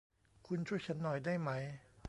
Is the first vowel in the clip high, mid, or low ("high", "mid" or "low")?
high